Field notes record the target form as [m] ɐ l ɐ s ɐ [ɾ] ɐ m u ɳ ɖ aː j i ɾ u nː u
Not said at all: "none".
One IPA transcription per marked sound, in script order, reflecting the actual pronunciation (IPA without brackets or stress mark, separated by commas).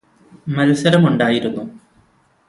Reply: m, ɾ